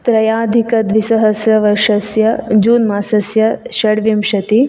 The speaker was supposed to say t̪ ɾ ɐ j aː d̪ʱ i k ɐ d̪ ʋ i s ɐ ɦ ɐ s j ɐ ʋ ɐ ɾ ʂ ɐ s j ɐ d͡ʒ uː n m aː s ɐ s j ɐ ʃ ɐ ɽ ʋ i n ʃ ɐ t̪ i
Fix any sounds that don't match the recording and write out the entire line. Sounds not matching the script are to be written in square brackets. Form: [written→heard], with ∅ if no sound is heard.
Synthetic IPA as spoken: t̪ ɾ ɐ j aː d̪ʱ i k ɐ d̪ ʋ i s ɐ ɦ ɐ s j ɐ ʋ ɐ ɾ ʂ ɐ s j ɐ d͡ʒ uː n m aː s ɐ s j ɐ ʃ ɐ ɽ ʋ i [n→m] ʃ ɐ t̪ i